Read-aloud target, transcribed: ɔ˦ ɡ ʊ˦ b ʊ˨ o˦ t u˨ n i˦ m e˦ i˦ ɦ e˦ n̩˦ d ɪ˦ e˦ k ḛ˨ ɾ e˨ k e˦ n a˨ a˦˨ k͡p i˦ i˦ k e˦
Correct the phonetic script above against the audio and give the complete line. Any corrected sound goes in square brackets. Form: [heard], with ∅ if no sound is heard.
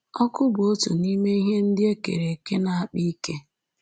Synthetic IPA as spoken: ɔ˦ [k] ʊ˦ b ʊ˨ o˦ t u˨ n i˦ m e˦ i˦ ɦ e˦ n̩˦ d ɪ˦ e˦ k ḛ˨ ɾ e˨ k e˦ n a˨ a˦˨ k͡p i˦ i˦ k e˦